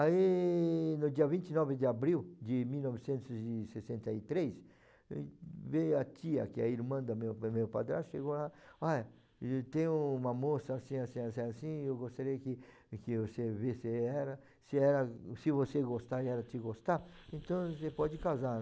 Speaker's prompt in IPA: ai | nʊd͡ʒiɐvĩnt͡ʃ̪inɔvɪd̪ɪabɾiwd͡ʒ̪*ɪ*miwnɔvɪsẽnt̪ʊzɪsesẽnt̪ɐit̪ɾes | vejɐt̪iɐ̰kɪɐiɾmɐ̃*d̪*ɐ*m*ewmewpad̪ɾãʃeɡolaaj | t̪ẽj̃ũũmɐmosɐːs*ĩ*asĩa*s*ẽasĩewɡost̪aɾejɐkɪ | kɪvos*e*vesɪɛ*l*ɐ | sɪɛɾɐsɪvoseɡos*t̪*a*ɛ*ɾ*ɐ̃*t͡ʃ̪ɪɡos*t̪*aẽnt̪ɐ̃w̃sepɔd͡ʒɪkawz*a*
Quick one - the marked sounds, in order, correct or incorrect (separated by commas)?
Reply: correct, correct, correct, correct, correct, correct, incorrect, correct, correct, incorrect, correct, correct